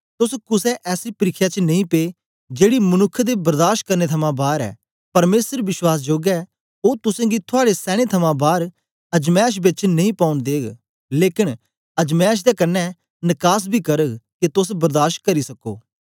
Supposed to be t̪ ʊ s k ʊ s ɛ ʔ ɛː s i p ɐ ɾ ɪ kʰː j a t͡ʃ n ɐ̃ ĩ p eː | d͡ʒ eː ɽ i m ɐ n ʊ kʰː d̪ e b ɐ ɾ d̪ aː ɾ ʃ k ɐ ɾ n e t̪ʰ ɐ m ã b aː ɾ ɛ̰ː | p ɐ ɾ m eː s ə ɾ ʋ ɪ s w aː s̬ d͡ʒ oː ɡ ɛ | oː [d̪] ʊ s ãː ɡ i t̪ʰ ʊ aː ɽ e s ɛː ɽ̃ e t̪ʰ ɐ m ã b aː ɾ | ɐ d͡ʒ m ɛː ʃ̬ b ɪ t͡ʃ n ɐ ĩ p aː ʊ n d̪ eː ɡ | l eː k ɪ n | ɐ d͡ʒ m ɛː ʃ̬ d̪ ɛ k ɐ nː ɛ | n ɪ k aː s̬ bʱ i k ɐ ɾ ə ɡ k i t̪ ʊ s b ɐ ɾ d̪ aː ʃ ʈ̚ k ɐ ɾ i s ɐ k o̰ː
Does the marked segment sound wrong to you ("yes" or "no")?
yes